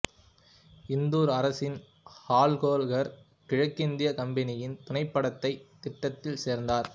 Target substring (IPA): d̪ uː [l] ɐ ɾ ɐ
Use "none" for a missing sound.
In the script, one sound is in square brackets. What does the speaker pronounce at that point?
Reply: ɾ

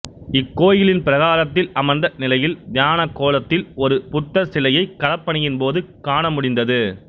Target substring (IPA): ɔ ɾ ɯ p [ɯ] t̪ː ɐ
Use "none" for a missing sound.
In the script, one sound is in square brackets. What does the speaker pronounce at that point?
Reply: ʊ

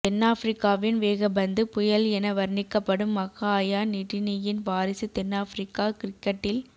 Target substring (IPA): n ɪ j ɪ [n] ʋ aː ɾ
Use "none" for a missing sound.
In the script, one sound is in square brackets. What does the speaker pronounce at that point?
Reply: n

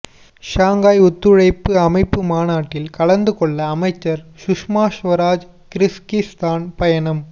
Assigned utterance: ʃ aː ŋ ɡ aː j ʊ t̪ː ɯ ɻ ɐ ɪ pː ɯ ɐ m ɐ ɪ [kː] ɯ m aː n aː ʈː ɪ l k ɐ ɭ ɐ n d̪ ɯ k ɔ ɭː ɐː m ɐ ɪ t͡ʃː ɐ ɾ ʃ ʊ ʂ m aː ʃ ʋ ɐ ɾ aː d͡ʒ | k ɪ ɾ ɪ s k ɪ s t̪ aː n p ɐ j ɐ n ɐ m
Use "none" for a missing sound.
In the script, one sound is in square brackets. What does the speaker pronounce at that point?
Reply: pː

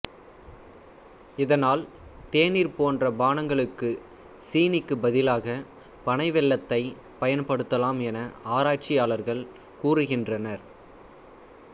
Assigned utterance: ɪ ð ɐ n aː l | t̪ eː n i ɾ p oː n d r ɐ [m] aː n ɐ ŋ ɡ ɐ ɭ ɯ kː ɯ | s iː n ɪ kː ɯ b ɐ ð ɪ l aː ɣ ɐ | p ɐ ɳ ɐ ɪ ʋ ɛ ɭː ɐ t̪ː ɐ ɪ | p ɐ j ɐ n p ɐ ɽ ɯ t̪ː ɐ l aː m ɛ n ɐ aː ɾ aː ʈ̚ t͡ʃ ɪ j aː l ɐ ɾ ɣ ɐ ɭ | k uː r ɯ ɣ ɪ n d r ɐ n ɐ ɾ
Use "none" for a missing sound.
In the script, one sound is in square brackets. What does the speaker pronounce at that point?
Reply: b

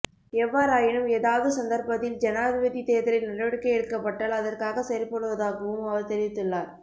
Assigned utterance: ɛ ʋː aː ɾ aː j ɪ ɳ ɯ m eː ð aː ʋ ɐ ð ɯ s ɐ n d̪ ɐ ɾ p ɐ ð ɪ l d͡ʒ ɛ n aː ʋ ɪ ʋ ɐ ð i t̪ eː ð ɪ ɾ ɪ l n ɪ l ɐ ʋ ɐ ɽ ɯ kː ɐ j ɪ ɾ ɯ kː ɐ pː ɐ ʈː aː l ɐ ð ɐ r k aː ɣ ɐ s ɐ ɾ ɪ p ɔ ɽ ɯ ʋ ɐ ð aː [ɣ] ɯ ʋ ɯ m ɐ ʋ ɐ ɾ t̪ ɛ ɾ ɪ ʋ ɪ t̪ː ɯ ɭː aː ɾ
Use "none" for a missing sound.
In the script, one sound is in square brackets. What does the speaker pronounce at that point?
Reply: ɣ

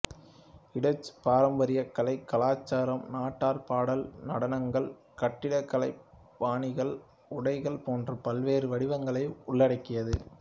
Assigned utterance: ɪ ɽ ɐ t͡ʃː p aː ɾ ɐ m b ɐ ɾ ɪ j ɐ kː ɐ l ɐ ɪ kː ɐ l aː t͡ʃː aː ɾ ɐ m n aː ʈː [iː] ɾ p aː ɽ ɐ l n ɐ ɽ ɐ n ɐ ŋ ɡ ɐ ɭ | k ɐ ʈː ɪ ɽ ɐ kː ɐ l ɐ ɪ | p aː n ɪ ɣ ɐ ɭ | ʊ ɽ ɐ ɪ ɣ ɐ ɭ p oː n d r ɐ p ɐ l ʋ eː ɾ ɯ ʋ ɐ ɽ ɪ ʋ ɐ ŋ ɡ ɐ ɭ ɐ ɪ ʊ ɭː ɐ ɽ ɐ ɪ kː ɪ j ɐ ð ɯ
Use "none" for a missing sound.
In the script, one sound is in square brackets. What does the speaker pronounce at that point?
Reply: aː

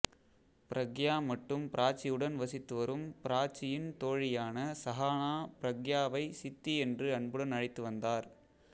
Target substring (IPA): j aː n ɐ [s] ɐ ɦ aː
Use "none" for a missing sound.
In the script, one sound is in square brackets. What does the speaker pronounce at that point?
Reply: s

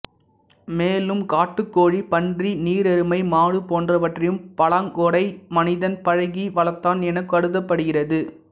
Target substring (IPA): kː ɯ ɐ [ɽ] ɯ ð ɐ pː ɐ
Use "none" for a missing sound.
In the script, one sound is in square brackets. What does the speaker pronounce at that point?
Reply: ɽ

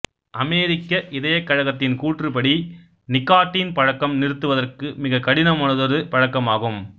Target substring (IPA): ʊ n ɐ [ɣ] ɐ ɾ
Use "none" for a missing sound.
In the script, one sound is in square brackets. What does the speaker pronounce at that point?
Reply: ð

